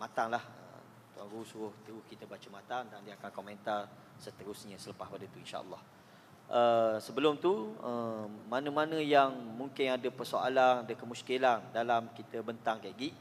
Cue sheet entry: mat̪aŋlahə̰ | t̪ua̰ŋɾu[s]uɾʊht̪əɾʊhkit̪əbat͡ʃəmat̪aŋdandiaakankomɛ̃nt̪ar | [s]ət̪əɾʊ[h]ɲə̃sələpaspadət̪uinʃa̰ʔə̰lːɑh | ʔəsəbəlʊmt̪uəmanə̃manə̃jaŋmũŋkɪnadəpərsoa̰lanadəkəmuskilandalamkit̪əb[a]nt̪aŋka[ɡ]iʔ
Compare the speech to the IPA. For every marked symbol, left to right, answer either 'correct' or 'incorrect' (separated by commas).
correct, correct, incorrect, incorrect, correct